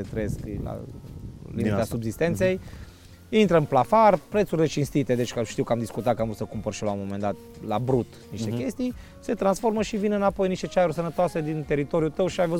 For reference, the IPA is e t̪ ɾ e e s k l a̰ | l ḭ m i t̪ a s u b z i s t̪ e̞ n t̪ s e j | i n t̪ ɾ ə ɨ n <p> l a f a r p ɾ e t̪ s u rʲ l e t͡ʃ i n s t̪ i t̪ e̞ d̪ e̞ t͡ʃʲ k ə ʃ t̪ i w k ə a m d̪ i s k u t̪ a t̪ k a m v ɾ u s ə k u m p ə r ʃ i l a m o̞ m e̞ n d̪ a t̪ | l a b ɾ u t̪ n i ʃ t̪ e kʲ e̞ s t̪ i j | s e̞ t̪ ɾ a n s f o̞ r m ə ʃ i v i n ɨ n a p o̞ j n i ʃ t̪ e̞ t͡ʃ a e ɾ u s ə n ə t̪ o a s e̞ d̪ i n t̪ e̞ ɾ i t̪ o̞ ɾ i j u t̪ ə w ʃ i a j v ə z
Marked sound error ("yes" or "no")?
no